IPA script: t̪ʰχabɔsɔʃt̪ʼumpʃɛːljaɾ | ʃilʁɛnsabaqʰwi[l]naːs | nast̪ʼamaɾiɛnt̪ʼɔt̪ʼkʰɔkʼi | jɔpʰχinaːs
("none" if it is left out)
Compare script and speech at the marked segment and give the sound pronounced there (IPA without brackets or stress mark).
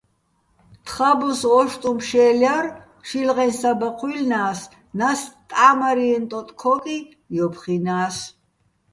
l